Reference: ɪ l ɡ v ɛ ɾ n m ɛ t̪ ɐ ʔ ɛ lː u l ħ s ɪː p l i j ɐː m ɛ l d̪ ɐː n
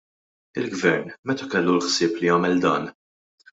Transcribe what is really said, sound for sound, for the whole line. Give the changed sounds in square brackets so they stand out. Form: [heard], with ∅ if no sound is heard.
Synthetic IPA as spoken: ɪ l ɡ v ɛ ɾ n m ɛ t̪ ɐ [k] ɛ lː u l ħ s ɪː p l i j ɐː m ɛ l d̪ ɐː n